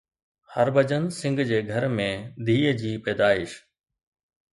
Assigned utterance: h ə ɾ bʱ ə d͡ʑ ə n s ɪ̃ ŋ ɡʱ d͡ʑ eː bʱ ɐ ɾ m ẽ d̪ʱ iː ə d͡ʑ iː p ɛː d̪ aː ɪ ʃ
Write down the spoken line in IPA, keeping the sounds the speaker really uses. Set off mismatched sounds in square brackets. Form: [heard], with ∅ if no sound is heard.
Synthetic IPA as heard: h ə ɾ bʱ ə d͡ʑ ə n s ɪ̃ ŋ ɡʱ d͡ʑ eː [ɡʱ] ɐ ɾ m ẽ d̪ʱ iː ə d͡ʑ iː p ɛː d̪ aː ɪ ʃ